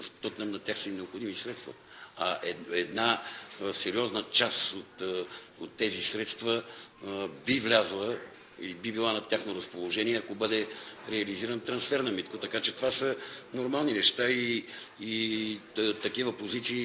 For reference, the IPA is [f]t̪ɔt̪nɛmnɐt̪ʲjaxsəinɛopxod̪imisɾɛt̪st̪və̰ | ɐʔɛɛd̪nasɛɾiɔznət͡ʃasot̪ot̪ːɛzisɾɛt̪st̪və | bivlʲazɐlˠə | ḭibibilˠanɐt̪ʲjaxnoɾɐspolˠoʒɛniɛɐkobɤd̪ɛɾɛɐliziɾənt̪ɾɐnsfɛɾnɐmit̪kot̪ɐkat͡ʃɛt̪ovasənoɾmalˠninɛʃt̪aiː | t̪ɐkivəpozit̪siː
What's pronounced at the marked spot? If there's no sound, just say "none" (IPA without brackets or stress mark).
f